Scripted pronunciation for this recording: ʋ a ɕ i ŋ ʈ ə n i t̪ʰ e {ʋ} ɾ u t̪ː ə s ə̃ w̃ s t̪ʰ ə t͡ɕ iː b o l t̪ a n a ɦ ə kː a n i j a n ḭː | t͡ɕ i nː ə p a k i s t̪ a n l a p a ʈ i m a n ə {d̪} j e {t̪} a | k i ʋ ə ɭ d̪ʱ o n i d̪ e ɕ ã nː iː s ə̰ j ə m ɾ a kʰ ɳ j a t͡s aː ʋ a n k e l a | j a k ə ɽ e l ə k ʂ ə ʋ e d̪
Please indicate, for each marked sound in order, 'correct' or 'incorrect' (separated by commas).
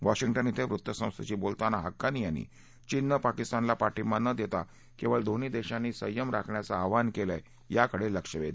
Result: correct, correct, correct